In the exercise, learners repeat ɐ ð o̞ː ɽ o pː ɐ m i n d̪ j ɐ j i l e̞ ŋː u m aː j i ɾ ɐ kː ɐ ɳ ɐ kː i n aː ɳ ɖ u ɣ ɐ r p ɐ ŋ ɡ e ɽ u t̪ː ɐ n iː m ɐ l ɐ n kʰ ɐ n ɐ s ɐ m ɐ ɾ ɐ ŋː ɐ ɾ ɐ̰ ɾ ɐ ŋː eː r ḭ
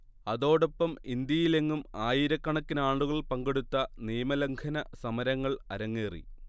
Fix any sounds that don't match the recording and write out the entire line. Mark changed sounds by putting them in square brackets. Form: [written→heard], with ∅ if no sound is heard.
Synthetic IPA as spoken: ɐ ð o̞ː ɽ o pː ɐ m i n d̪ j ɐ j i l e̞ ŋː u m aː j i ɾ ɐ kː ɐ ɳ ɐ kː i n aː ɳ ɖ u ɣ ɐ [r→ɭ] p ɐ ŋ ɡ e ɽ u t̪ː ɐ n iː m ɐ l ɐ [n→ŋ] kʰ ɐ n ɐ s ɐ m ɐ ɾ ɐ ŋː ɐ [ɾ→ɭ] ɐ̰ ɾ ɐ ŋː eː r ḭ